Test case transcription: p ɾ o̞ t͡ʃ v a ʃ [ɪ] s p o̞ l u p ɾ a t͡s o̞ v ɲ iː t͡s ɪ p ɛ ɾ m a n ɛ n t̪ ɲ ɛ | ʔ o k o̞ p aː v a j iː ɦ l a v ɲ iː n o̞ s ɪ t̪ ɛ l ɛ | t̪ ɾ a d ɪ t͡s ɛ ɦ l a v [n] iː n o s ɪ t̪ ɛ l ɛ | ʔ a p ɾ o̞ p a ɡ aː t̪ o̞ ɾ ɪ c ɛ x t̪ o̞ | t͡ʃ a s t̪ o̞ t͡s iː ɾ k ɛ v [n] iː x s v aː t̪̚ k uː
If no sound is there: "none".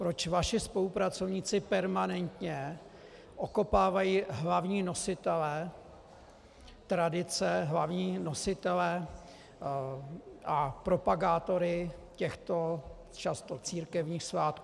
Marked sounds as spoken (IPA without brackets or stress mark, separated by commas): ɪ, ɲ, ɲ